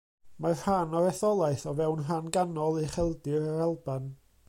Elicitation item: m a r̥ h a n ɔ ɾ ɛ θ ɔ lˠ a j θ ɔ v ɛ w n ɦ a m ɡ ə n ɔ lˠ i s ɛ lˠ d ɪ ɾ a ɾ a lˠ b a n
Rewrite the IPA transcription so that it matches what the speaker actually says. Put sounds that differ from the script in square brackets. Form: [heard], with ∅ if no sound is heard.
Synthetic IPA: m a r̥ h a n ɔ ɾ ɛ θ ɔ lˠ a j θ ɔ v ɛ w n ɦ a [n] ɡ [a] n ɔ lˠ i [χ] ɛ lˠ d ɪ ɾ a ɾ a lˠ b a n